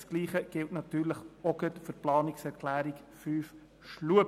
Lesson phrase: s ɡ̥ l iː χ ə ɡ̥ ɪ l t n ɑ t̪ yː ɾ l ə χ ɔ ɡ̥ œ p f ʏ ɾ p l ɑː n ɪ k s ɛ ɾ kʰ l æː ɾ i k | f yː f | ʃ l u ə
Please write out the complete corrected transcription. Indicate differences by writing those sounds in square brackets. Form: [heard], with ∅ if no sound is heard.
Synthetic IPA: s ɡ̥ l iː χ ə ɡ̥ ɪ l t n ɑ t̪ yː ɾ l ə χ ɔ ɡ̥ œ [t] f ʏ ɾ p l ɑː n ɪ k s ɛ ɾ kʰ l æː ɾ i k | f yː f | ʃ l u ə